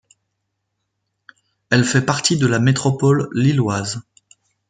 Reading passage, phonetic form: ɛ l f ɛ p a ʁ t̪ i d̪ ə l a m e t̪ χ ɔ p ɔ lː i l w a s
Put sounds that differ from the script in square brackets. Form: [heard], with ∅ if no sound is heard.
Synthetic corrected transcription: ɛ l f ɛ p a ʁ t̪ i d̪ ə l a m e t̪ χ ɔ p ɔ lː i l w a [z]